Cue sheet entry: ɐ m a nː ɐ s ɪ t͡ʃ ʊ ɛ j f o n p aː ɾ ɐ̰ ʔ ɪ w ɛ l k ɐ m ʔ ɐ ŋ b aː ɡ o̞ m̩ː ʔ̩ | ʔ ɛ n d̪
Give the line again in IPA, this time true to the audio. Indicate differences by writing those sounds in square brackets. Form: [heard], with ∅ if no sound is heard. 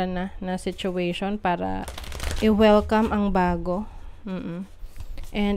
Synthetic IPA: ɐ [n] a [n] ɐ s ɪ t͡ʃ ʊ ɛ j [ʃ] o n p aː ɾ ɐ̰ ʔ ɪ w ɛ l k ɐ m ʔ ɐ ŋ b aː ɡ o̞ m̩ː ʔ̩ | ʔ ɛ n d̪